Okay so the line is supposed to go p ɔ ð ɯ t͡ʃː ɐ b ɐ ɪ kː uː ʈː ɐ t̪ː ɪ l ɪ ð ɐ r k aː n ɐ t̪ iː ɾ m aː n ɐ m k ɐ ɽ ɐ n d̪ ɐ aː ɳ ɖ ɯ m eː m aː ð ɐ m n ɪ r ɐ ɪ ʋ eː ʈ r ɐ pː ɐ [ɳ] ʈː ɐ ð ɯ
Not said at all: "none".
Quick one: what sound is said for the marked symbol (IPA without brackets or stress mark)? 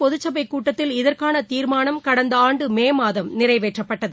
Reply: none